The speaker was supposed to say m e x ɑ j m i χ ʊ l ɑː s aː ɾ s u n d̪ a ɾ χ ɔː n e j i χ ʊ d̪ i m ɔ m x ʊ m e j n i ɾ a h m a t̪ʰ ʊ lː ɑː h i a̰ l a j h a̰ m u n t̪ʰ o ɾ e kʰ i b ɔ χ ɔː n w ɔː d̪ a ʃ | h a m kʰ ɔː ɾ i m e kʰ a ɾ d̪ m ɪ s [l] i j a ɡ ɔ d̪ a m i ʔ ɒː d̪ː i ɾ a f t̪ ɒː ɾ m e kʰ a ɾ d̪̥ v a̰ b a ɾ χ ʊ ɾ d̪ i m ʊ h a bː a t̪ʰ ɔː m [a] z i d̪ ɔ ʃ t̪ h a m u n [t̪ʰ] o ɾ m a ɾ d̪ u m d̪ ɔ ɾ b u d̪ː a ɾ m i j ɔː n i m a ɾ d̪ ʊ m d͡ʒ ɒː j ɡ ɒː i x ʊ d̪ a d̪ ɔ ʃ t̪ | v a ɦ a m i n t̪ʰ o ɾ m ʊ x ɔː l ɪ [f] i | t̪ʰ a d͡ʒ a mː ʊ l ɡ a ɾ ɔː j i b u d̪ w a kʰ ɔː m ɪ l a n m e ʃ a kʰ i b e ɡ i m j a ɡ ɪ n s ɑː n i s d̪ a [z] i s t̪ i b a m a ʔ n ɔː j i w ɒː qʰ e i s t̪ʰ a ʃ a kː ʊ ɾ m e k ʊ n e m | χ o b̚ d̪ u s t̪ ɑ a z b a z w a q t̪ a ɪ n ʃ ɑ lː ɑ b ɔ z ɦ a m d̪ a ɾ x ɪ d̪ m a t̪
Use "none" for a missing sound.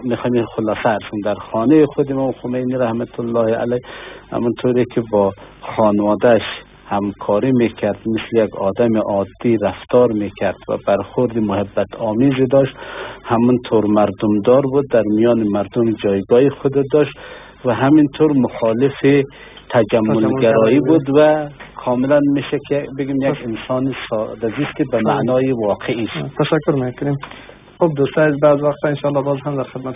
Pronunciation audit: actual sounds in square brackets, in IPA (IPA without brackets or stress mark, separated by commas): l, i, t̪ʰ, f, z